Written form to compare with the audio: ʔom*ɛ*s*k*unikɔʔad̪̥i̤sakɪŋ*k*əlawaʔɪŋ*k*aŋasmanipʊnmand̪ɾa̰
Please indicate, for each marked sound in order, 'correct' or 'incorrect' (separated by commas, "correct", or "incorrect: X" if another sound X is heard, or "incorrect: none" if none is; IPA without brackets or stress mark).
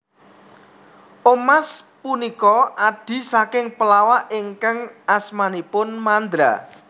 incorrect: a, incorrect: p, incorrect: p, correct